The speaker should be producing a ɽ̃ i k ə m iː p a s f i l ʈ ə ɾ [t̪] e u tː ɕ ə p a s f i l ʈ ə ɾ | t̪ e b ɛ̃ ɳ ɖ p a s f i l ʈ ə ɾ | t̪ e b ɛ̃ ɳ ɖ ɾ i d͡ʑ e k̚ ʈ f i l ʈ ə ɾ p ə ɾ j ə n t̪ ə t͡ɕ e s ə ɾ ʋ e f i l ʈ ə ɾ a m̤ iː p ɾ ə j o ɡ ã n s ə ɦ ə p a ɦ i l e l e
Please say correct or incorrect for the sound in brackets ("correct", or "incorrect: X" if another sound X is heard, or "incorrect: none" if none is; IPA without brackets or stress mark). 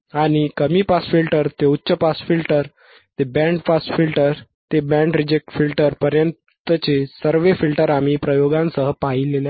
correct